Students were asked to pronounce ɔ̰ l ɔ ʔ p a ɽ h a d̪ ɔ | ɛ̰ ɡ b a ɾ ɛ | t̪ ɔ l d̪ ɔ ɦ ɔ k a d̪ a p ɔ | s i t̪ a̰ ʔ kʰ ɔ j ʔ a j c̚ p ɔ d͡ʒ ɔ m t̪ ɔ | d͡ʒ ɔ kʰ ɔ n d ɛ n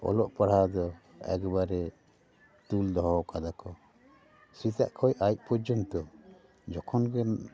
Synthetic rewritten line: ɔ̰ l ɔ ʔ p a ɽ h a d̪ ɔ | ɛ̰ ɡ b a ɾ ɛ | t̪ u l d̪ ɔ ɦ ɔ k a d̪ a k ɔ | s i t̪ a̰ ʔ kʰ ɔ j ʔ a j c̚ p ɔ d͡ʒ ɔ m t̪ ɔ | d͡ʒ ɔ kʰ ɔ n ɡ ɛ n